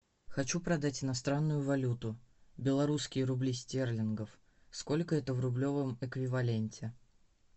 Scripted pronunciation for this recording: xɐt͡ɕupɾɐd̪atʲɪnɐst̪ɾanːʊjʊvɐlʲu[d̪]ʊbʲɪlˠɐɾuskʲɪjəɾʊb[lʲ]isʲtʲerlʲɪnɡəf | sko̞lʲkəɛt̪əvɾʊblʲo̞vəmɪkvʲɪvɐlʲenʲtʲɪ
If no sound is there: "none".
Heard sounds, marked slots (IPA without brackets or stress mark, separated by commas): t̪, lʲ